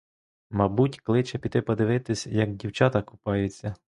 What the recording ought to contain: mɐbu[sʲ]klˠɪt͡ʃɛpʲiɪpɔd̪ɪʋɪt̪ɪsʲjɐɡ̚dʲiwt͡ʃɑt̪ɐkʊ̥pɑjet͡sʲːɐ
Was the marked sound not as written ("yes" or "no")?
yes